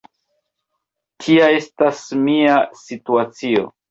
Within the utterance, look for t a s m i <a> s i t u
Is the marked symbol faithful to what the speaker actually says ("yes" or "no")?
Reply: yes